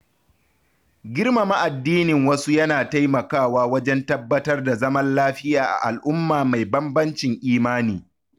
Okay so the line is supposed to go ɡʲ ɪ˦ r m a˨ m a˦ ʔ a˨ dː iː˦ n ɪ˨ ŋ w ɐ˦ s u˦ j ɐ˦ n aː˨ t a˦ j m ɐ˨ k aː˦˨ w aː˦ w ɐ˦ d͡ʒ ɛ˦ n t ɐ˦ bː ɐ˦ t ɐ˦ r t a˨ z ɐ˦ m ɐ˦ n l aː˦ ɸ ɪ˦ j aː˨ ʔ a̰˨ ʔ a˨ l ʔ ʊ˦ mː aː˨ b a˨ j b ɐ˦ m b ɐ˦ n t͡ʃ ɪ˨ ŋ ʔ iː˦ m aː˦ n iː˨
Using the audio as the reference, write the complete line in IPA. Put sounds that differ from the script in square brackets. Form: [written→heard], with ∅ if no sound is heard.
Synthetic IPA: ɡʲ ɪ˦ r m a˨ m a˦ ʔ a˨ dː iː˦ n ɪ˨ ŋ w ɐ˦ s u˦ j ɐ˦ n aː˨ t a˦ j m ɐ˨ k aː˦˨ w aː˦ w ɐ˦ d͡ʒ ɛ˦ n t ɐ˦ bː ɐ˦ t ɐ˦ r [t→d] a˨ z ɐ˦ m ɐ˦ n l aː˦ ɸ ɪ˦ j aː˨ ʔ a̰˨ ʔ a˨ l ʔ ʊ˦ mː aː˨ [b→m] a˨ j b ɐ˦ m b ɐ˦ n t͡ʃ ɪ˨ ŋ ʔ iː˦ m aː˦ n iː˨